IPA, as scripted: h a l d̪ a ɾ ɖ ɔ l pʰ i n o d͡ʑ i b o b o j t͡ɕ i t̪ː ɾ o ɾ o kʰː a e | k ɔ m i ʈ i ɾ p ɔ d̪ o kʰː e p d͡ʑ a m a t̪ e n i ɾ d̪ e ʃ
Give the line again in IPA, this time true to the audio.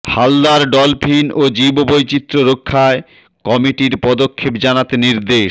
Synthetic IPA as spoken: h a l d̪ a ɾ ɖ ɔ l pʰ i n o d͡ʑ i b o b o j t͡ɕ i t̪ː ɾ o ɾ o kʰː a e | k ɔ m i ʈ i ɾ p ɔ d̪ o kʰː e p d͡ʑ a n a t̪ e n i ɾ d̪ e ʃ

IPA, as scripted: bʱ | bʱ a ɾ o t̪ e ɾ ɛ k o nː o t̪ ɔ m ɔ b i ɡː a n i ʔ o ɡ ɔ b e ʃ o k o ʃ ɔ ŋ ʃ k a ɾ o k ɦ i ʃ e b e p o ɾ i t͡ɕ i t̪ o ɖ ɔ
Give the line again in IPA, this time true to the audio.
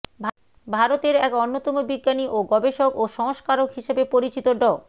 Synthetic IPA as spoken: bʱ | bʱ a ɾ o t̪ e ɾ ɛ k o nː o t̪ ɔ m o b i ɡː a n i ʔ o ɡ ɔ b e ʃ o k o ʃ ɔ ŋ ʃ k a ɾ o k ɦ i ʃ e b e p o ɾ i t͡ɕ i t̪ o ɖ ɔ

